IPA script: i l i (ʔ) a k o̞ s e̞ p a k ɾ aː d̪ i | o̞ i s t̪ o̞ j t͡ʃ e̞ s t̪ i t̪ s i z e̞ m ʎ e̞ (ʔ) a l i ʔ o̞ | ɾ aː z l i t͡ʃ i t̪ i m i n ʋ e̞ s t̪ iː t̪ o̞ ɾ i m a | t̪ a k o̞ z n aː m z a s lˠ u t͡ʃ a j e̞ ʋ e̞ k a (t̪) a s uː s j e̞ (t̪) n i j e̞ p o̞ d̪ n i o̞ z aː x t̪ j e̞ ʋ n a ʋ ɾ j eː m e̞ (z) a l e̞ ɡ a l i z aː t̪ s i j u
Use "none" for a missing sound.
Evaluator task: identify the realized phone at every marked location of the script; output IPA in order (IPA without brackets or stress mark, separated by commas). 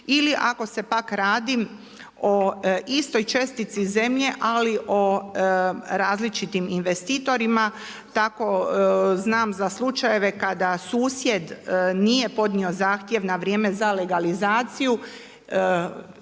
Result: ʔ, ʔ, d̪, d̪, z